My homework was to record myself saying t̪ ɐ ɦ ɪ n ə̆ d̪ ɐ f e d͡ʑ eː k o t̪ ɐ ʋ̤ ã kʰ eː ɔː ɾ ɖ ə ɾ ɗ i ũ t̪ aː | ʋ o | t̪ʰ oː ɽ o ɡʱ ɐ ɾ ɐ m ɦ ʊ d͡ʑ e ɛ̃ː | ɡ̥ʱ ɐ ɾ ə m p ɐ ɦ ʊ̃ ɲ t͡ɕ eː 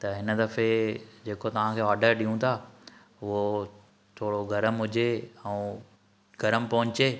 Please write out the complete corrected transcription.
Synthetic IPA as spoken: t̪ ɐ ɦ ɪ n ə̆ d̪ ɐ f e d͡ʑ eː k o t̪ ɐ ʋ̤ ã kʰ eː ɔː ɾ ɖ ə ɾ ɗ i ũ t̪ʰ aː | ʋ o | t̪ʰ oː ɽ o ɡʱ ɐ ɾ ə m ɦ ʊ d͡ʑ e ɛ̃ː | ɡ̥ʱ ɐ ɾ ə m p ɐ ɦ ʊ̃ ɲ t͡ɕ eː